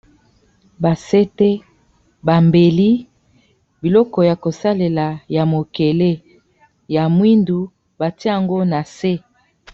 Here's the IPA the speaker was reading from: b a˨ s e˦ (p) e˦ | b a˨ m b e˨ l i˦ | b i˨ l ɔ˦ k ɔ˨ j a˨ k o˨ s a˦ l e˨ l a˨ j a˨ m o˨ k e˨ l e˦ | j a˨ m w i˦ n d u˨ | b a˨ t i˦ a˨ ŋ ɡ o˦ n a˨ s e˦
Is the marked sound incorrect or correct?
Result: incorrect